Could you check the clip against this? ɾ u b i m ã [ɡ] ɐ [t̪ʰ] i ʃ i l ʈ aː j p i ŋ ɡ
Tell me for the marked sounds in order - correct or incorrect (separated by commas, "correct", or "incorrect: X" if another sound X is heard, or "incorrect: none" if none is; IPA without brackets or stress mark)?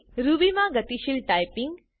correct, incorrect: t̪